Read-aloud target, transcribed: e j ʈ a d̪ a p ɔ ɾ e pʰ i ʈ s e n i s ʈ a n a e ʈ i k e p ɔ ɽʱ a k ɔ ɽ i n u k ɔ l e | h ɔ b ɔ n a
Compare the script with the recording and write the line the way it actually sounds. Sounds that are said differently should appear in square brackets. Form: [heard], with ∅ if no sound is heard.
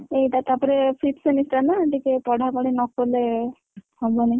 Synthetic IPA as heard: e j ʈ a [t̪] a p ɔ ɾ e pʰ i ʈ s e n i s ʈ a n a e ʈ i k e p ɔ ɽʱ a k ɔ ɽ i n [ɔ] k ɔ l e | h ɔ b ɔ n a